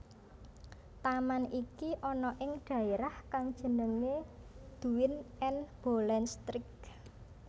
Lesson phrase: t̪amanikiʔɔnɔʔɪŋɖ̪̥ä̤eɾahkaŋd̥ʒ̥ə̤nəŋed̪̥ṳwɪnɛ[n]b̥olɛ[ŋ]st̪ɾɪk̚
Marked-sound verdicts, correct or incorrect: correct, incorrect: n

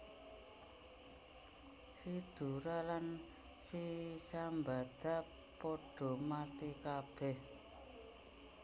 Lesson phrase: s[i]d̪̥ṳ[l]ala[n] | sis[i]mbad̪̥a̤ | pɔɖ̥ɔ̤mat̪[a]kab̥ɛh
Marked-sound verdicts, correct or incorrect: correct, incorrect: ɾ, correct, incorrect: a, incorrect: i

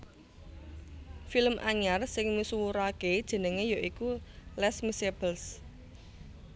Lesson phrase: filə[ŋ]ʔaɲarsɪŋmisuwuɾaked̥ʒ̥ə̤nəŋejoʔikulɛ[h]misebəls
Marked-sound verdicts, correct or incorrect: incorrect: m, incorrect: s

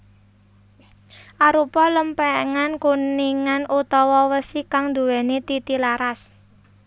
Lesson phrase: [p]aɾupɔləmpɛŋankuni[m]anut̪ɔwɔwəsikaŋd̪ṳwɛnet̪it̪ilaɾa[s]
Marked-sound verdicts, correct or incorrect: incorrect: ʔ, incorrect: ŋ, correct

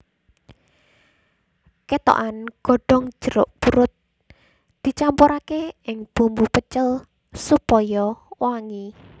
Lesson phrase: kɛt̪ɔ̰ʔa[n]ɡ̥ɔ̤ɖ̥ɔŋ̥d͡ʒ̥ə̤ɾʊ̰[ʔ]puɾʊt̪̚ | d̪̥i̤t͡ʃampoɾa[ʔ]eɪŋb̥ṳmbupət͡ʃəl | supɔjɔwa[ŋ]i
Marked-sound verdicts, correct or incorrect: correct, correct, incorrect: k, correct

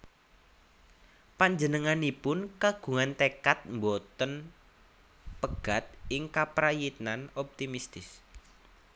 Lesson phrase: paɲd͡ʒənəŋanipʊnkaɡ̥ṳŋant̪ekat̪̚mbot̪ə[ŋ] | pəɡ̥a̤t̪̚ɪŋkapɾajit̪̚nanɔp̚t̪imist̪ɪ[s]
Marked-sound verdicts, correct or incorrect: incorrect: n, correct

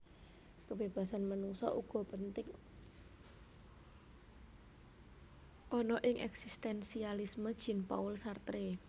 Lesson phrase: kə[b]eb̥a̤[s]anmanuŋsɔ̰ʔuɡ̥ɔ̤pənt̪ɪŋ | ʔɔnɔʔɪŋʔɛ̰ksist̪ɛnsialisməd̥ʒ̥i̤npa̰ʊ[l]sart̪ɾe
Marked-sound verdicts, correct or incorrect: correct, correct, correct

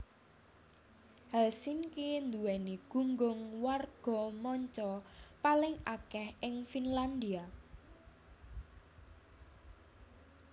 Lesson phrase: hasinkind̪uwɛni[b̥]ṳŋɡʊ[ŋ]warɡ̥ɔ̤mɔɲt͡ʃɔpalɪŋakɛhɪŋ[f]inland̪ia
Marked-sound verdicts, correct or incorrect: incorrect: ɡ̥, correct, correct

